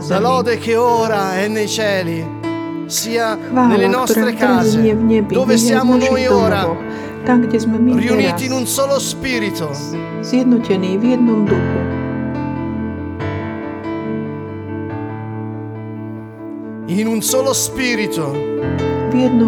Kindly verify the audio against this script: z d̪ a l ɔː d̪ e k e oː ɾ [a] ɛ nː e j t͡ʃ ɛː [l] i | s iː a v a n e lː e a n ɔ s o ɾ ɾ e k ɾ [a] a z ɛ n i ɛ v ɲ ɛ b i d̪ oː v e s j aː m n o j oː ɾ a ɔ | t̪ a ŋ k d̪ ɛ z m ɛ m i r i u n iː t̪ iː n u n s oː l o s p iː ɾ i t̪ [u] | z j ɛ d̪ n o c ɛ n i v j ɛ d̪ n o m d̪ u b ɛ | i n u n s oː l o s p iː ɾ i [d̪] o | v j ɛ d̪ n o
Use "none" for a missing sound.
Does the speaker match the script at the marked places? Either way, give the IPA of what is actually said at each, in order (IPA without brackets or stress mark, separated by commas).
a, l, a, o, t̪